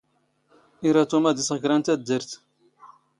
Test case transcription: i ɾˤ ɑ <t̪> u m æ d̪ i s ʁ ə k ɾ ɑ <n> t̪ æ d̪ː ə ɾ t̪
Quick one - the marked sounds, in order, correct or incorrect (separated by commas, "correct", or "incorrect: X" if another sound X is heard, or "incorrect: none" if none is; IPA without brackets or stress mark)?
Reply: correct, correct